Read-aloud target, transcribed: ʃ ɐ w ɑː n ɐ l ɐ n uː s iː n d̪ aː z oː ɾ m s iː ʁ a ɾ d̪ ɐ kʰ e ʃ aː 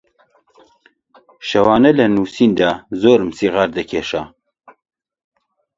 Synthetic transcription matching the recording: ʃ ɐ w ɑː n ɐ l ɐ n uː s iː n d̪ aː z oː ɾ m s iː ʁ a ɾ d̪ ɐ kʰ e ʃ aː

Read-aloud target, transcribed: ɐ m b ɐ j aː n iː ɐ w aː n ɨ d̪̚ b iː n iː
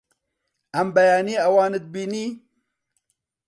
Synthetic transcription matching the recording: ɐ m b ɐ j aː n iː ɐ w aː n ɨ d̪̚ b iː n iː

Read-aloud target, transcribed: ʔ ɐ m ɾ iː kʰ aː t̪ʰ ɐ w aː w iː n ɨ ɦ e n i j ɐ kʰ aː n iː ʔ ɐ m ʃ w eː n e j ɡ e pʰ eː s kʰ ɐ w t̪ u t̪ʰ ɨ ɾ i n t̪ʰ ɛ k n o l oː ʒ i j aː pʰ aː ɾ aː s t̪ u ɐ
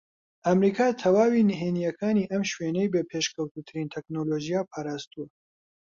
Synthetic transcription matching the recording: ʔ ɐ m ɾ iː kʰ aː t̪ʰ ɐ w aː w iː n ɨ ɦ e n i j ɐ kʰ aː n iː ʔ ɐ m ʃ w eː n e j b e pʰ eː ʃ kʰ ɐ w t̪ u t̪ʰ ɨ ɾ i n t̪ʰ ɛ k n o l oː ʒ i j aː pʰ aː ɾ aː s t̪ u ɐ

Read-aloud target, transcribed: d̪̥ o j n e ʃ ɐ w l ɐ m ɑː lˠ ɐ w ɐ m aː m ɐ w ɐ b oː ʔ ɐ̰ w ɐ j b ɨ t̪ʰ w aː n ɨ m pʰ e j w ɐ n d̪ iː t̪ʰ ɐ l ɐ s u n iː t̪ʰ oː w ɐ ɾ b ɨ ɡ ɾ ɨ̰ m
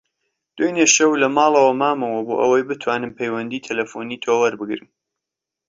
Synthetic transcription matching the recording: d̪̥ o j n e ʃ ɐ w l ɐ m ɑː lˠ ɐ w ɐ m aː m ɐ w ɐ b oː ʔ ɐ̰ w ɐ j b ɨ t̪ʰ w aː n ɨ m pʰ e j w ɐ n d̪ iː t̪ʰ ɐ l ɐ f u n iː t̪ʰ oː w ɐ ɾ b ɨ ɡ ɾ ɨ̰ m

